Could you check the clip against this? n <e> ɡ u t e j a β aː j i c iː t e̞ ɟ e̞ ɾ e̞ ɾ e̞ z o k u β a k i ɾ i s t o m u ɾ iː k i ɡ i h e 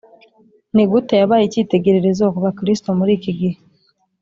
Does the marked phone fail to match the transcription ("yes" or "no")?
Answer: yes